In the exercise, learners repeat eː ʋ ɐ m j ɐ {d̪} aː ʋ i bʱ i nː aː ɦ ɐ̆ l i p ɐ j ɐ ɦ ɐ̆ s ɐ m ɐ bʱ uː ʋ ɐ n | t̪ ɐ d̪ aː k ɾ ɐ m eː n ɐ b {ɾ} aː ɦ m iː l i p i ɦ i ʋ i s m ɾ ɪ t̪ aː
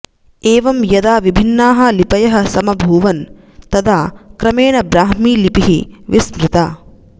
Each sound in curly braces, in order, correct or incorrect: correct, correct

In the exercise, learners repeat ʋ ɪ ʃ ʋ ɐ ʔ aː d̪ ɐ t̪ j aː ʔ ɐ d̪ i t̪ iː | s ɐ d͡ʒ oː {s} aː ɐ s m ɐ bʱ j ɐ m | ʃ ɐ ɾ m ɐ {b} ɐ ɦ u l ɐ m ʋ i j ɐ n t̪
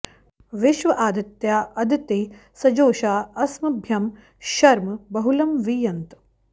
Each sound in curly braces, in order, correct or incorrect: incorrect: ʃ, correct

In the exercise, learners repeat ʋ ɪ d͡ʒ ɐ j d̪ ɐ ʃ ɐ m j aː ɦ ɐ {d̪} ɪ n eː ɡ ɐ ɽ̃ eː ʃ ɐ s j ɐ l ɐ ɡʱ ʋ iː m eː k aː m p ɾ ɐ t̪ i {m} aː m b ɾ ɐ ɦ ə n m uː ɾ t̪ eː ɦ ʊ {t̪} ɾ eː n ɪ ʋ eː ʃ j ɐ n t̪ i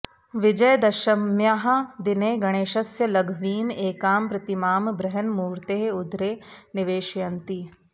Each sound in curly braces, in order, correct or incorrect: correct, correct, incorrect: d̪

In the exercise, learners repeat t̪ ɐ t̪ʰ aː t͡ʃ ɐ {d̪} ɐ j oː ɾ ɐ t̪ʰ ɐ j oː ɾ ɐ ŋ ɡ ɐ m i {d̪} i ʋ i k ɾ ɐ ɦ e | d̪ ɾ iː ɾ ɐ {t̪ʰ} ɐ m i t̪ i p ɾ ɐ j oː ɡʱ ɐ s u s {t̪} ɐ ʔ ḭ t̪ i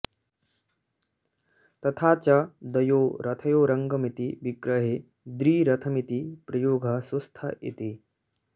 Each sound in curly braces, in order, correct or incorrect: correct, incorrect: t̪, correct, incorrect: t̪ʰ

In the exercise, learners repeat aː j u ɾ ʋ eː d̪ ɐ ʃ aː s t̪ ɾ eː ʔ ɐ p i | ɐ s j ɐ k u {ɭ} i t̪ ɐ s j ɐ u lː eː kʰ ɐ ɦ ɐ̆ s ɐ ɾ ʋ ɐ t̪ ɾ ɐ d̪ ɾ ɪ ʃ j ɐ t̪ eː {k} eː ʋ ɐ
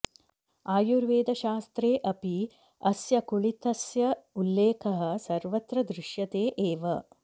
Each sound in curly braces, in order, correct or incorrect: correct, incorrect: ʔ

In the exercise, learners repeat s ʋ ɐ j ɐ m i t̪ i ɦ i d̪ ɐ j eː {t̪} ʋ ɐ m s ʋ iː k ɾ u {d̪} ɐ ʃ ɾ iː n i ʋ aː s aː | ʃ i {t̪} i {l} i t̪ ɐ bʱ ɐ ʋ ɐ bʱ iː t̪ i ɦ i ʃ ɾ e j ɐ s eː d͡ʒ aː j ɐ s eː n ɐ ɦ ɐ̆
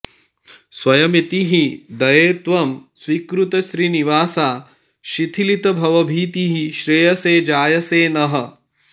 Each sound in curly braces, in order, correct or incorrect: correct, incorrect: t̪, incorrect: t̪ʰ, correct

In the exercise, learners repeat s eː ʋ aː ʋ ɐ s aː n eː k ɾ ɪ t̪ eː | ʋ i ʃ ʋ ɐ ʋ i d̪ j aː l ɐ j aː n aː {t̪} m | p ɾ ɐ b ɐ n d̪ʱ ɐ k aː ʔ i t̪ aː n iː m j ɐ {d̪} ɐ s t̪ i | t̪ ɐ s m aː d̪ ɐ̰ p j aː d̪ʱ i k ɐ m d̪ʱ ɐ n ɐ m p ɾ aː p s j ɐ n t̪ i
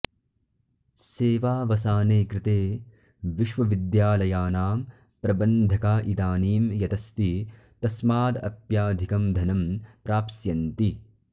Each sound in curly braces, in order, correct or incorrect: incorrect: none, incorrect: t̪

